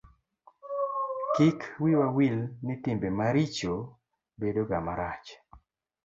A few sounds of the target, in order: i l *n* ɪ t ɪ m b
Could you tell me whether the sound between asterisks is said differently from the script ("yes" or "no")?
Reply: no